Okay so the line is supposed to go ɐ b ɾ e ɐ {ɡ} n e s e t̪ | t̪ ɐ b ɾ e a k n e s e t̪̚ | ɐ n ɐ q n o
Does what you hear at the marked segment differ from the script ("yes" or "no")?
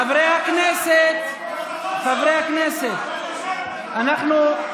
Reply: yes